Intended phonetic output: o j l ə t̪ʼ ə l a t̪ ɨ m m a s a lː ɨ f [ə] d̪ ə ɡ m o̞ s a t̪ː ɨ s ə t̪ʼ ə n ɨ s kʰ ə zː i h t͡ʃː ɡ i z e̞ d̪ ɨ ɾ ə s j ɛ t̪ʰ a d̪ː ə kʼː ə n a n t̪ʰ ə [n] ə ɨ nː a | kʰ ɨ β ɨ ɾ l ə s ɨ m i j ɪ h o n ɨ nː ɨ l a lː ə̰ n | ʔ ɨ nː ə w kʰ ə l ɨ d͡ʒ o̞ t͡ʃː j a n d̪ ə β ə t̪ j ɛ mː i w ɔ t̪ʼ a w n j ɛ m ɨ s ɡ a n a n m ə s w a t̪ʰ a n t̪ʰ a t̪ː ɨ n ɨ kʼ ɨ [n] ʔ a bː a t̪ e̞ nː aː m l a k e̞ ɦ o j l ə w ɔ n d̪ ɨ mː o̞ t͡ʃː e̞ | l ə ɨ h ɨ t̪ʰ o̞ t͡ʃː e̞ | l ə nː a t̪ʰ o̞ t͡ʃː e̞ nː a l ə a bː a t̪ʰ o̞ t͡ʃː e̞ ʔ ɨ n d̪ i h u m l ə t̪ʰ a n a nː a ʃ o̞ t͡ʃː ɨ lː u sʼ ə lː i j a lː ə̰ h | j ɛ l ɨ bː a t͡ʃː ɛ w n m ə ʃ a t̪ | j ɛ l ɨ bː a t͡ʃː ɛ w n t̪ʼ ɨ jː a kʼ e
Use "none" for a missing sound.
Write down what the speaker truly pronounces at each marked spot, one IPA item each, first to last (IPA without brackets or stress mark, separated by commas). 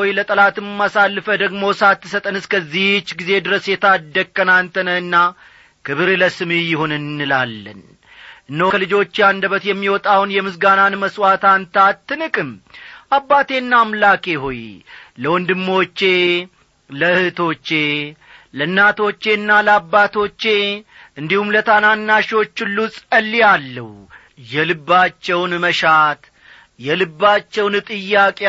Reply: ə, n, m